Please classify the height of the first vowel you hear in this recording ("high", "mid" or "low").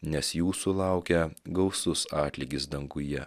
mid